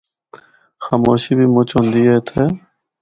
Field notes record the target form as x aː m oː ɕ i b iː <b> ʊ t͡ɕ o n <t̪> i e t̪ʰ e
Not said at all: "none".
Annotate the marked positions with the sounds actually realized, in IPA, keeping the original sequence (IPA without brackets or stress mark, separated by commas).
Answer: m, d̪